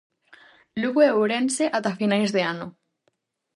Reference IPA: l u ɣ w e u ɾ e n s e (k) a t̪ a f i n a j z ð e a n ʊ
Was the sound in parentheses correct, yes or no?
no